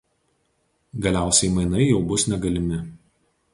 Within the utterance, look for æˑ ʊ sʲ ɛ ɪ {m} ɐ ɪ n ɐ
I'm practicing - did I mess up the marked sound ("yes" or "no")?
no